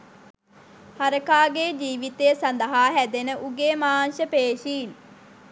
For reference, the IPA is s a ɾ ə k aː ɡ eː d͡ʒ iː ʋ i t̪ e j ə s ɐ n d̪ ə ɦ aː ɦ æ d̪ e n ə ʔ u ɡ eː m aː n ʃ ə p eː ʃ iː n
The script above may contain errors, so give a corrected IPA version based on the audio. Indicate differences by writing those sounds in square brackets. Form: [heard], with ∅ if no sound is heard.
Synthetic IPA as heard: [h] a ɾ ə k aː ɡ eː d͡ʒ iː ʋ i t̪ e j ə s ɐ n d̪ ə ɦ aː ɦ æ d̪ e n ə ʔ u ɡ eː m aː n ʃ ə p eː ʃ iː n